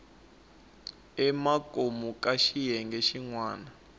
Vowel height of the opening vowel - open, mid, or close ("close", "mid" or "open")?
mid